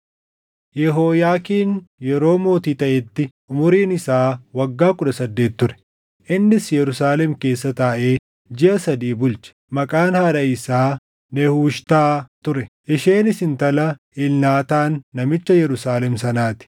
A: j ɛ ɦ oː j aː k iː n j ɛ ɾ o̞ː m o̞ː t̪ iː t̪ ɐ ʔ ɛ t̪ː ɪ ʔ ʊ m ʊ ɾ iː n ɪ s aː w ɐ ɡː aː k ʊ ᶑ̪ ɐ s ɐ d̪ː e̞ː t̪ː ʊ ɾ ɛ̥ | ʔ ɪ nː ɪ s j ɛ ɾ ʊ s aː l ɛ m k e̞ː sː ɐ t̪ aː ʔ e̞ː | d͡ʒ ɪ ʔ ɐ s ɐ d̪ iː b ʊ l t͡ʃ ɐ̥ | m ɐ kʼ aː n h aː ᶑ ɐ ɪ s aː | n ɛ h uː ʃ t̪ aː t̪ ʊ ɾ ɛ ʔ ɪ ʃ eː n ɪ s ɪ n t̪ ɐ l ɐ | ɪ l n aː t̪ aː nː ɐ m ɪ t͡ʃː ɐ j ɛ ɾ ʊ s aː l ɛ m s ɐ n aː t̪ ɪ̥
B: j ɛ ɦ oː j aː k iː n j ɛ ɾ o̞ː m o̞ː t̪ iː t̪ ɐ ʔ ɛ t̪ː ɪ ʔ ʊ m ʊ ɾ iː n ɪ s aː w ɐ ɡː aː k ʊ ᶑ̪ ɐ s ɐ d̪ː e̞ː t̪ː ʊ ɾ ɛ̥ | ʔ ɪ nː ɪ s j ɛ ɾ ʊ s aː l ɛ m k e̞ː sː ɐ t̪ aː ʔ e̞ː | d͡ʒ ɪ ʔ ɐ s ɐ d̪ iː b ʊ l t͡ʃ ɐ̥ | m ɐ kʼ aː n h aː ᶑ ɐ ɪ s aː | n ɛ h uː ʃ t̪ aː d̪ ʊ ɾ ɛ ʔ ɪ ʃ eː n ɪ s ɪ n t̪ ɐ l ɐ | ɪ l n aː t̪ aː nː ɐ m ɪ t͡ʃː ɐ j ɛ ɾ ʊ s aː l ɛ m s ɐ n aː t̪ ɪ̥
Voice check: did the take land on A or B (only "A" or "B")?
A